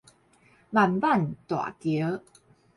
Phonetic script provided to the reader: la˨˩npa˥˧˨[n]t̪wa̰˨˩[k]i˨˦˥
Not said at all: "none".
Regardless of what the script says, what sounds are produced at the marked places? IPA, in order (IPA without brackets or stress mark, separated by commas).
n, k